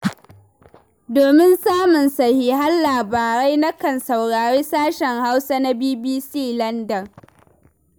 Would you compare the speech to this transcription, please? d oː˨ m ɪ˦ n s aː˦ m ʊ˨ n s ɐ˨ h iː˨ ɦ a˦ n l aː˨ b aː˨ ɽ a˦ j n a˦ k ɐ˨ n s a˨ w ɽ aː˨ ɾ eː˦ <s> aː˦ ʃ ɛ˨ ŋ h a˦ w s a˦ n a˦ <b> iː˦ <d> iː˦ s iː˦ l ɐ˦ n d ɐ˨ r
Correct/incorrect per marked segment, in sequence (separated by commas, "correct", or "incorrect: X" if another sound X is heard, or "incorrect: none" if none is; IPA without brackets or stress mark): correct, correct, incorrect: b